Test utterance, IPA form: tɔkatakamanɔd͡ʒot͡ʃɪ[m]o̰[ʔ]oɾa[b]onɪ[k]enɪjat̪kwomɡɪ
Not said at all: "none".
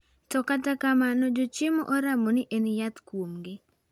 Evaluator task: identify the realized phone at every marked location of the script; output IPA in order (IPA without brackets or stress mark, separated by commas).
m, ʔ, m, ʔ